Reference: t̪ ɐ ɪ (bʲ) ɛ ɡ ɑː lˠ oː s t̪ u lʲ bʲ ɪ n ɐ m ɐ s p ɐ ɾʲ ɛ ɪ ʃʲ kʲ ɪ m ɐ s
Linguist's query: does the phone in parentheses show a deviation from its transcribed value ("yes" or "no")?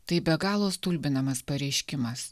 no